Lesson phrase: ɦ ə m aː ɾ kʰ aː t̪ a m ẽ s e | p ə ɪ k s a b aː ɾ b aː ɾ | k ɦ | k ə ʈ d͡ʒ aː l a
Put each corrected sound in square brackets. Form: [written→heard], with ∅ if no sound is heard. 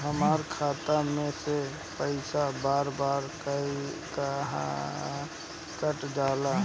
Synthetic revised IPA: ɦ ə m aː ɾ kʰ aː t̪ a m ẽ s e | p ə ɪ [k→∅] s a b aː ɾ b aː ɾ | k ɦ | k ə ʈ d͡ʒ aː l a